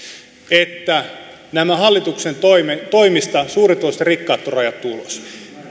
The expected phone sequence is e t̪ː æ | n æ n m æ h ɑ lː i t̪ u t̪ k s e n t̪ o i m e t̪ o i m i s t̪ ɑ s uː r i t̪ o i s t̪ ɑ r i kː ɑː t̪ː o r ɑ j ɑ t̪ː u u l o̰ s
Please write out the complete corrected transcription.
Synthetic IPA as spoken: e t̪ː æ | n æ m æ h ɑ lː i t̪ u k s e n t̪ o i m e t̪ o i m i s t̪ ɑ s uː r i t̪ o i s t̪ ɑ r i kː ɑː t̪ː o r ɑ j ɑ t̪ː u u l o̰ s